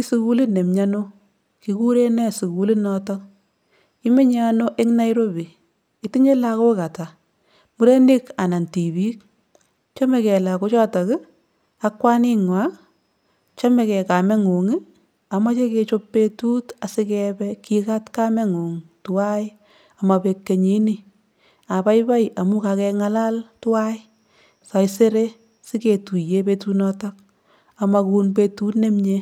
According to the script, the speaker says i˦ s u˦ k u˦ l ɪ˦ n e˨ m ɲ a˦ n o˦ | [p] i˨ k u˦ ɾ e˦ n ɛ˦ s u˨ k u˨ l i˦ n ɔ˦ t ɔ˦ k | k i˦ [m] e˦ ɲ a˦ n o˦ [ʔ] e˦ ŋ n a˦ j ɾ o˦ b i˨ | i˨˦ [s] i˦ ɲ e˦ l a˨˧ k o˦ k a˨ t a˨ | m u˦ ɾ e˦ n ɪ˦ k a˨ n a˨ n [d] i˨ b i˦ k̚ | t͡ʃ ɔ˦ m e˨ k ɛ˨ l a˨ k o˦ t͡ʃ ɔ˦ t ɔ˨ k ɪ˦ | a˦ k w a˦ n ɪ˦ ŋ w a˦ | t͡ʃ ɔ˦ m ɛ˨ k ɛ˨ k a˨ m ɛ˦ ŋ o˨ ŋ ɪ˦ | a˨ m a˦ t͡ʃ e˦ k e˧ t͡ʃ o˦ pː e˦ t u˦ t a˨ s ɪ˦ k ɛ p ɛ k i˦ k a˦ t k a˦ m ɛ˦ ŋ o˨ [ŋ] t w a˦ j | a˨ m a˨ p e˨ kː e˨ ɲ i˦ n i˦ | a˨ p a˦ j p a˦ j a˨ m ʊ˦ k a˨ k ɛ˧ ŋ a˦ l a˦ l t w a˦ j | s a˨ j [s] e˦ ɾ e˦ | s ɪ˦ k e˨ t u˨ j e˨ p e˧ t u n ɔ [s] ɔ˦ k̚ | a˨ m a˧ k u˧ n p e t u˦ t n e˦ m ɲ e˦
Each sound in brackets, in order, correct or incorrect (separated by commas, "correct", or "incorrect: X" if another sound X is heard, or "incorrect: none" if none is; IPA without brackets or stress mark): incorrect: k, correct, correct, incorrect: t, incorrect: t, correct, correct, incorrect: t